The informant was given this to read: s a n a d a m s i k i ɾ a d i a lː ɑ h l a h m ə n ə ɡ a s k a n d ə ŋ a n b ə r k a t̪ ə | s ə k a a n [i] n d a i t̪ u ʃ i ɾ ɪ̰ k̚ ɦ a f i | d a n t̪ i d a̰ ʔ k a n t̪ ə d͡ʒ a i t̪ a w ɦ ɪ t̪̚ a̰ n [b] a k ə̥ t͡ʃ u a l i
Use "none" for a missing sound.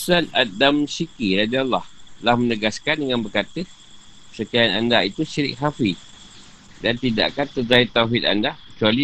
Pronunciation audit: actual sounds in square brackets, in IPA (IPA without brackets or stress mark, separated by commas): a, d